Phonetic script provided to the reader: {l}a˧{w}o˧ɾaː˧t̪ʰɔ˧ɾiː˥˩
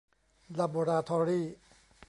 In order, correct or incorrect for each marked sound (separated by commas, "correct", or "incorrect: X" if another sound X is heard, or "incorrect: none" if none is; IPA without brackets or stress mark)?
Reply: correct, incorrect: b